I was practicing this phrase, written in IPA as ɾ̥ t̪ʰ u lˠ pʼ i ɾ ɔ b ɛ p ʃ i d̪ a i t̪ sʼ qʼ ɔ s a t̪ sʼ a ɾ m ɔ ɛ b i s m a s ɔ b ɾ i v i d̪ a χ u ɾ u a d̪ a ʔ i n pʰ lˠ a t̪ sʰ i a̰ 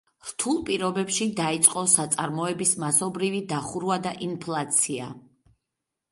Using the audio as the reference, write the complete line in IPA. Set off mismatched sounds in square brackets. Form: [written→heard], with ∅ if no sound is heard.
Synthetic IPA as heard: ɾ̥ t̪ʰ u lˠ pʼ i ɾ ɔ b ɛ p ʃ i d̪ a i t̪ sʼ qʼ ɔ s a t̪ sʼ a ɾ m ɔ ɛ b i s m a s ɔ b ɾ i v i d̪ a χ u ɾ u a d̪ a ʔ i n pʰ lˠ a t̪ sʰ i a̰